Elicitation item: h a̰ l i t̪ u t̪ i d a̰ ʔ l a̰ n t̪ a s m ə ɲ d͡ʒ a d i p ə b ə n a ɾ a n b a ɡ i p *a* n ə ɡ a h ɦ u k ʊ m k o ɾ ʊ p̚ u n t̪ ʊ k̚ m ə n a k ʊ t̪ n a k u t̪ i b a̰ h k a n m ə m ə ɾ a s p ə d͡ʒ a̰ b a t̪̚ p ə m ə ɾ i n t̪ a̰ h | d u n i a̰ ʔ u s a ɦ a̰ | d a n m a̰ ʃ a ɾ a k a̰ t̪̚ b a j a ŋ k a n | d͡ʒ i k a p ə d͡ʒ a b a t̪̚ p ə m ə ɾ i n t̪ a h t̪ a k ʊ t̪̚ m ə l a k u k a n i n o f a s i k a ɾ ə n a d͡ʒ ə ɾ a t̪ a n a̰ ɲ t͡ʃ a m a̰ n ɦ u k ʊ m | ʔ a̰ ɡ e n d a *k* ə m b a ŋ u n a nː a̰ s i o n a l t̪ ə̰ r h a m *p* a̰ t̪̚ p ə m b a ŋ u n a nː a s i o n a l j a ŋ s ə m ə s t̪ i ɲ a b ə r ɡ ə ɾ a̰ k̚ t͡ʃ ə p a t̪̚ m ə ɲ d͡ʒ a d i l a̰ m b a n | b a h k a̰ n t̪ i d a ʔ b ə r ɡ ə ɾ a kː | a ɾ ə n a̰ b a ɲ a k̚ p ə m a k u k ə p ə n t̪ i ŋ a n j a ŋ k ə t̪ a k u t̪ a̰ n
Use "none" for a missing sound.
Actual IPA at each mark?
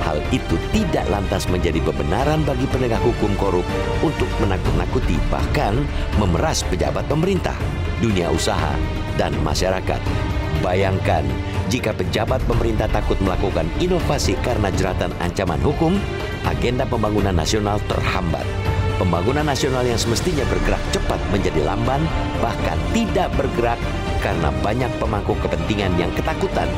ə, p, b

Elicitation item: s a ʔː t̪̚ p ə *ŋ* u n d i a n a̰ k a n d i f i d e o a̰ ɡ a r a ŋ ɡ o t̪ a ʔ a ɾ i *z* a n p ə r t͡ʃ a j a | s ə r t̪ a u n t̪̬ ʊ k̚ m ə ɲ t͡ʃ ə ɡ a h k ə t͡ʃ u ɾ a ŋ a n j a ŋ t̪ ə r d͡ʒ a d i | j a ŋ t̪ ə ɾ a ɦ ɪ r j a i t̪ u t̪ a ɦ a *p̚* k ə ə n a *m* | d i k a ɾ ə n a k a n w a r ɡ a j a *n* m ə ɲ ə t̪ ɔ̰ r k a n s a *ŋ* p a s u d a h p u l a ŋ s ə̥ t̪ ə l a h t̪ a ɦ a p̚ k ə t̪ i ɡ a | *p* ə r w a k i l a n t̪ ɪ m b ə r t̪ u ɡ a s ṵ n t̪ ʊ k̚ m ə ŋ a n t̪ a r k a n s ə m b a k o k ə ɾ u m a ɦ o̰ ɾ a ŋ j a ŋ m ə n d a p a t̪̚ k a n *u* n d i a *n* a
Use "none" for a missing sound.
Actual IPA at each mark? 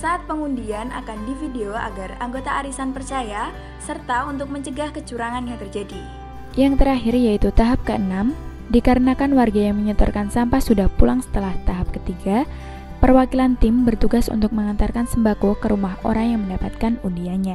ŋ, s, p̚, m, ŋ, m, p, u, ɲ

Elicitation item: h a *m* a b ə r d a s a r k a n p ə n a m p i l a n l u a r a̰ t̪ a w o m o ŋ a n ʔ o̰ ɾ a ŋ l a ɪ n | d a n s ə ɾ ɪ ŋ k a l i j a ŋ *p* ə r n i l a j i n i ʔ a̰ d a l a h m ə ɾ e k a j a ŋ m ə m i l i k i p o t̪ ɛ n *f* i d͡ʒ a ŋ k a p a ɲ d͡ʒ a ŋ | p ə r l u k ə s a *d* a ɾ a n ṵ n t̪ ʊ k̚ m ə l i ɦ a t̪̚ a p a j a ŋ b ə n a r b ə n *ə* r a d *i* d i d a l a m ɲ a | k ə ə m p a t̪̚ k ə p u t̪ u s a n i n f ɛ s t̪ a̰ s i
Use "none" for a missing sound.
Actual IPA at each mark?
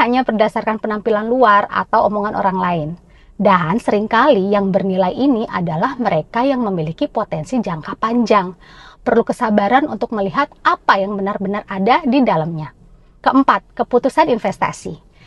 ɲ, b, s, b, a, a

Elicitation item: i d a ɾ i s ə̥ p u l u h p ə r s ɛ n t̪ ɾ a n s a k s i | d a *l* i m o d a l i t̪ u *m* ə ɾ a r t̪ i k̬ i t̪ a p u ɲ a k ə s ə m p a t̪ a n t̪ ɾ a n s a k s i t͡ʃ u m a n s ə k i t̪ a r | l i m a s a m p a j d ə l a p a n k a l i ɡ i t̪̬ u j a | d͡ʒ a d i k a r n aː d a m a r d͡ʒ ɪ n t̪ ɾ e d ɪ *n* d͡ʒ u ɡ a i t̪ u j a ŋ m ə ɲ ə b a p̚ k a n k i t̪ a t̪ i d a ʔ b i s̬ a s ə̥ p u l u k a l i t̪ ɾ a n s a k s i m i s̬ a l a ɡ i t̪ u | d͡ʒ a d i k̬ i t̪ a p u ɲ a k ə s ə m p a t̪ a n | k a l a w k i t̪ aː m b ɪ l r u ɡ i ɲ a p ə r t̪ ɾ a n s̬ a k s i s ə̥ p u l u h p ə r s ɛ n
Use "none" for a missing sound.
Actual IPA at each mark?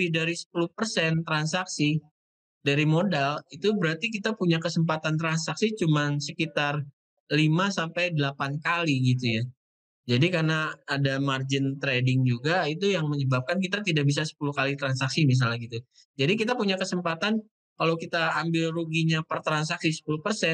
ɾ, b, ŋ

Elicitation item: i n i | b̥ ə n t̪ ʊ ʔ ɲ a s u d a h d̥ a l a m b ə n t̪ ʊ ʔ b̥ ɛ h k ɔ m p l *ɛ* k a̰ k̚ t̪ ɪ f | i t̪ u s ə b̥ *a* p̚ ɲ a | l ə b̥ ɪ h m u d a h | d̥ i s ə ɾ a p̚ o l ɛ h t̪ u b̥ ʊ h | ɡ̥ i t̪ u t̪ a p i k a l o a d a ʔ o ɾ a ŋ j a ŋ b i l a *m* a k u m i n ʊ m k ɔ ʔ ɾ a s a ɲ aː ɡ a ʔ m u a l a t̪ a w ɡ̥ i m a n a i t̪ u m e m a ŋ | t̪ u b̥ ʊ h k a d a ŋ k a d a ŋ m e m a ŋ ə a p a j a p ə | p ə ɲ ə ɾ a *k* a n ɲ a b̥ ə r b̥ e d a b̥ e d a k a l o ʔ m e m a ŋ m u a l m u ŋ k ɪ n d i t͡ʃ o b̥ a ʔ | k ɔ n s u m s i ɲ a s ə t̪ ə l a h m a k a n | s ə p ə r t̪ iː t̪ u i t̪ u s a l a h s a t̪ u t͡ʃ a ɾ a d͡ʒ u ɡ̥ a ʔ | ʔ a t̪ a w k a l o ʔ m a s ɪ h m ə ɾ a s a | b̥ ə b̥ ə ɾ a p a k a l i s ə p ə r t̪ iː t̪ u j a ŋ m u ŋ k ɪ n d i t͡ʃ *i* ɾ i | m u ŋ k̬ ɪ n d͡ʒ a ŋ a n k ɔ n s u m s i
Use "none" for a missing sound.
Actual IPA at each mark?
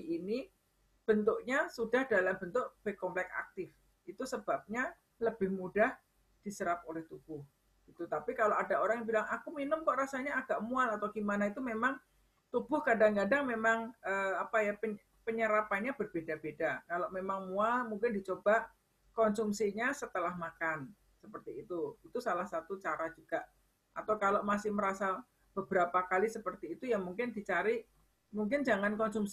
ɛ, a, ŋ, p, a

